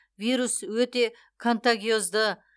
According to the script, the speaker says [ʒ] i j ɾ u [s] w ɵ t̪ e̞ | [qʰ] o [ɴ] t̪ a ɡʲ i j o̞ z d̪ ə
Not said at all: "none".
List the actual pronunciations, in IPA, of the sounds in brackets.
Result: v, s, kʰ, n

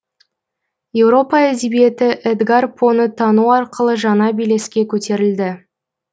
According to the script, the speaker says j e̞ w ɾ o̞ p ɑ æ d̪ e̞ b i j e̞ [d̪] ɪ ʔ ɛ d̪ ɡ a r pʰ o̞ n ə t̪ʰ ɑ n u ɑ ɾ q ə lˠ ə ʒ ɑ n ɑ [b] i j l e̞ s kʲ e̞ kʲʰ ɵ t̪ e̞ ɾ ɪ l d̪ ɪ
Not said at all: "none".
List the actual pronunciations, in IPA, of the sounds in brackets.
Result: t̪, b

